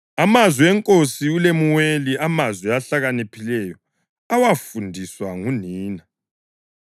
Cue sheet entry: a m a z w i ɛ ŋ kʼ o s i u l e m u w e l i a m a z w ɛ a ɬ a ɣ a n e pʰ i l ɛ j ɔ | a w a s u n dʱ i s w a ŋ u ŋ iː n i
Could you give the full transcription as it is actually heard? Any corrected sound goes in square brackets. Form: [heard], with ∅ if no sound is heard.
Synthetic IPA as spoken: a m a z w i ɛ ŋ kʼ o s i u l e m u w e l i a m a z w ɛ a ɬ a ɣ a n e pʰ i l ɛ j ɔ | a w a [f] u n dʱ i s w a ŋ u [n] iː n [a]